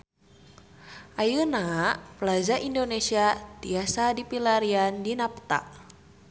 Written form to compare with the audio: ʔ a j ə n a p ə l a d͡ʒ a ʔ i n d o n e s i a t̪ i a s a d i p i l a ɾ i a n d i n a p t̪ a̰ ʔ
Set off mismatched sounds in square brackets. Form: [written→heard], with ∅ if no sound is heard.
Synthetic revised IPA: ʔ a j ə n a p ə l a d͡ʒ a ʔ i n d o n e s i a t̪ i a s a d i p i l a ɾ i a n d i n a p t̪ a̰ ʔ